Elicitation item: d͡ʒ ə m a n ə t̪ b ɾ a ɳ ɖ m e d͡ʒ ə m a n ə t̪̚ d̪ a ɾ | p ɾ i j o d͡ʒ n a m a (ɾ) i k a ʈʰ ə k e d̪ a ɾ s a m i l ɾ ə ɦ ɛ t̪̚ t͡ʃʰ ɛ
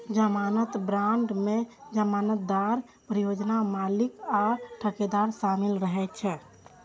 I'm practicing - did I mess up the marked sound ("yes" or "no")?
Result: yes